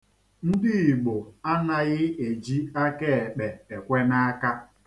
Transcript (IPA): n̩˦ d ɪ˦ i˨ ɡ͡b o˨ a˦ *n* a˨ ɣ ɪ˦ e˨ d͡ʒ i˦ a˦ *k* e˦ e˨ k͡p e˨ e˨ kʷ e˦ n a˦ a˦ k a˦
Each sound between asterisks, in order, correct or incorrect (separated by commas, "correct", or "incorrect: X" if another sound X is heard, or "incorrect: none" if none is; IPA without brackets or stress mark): correct, correct